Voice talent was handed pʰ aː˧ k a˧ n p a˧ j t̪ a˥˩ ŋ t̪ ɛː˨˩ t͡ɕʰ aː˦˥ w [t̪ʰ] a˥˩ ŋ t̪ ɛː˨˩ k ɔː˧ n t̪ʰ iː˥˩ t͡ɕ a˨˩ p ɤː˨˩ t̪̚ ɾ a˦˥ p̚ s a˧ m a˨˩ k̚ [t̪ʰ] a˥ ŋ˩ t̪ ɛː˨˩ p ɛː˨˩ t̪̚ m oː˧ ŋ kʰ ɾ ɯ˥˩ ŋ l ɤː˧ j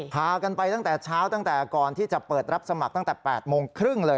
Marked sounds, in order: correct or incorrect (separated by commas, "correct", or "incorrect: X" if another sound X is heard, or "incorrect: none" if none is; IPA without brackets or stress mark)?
incorrect: t̪, incorrect: t̪